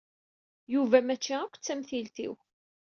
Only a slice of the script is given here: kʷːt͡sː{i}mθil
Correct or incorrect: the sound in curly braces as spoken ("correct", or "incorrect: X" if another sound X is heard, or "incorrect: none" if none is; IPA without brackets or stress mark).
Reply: incorrect: æ